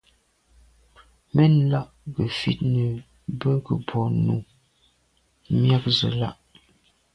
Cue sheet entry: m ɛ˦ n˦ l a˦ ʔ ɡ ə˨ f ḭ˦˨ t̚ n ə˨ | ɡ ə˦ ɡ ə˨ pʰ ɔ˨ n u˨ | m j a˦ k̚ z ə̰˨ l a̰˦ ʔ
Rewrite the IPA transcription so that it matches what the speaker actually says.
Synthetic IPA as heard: m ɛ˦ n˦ l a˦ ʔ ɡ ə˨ f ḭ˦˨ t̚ n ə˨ | b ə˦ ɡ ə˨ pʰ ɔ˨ n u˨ | m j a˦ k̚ z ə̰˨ l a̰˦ ʔ